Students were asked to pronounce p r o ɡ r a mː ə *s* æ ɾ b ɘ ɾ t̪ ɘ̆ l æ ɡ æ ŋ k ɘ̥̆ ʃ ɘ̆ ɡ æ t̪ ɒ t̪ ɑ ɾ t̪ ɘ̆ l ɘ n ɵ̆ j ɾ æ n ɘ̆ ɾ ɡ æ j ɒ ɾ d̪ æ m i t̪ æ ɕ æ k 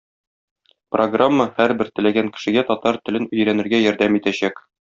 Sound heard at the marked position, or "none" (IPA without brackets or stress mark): h